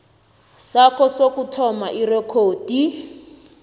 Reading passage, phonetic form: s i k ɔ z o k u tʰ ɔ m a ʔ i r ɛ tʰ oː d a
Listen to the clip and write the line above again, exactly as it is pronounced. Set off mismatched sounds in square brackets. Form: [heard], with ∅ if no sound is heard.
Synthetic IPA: s [a] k ɔ [s] o k u tʰ ɔ m a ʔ i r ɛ [kʰ] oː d [i]